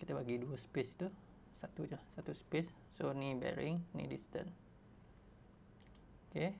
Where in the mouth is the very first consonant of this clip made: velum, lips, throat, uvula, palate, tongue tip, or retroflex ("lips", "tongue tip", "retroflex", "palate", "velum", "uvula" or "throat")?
velum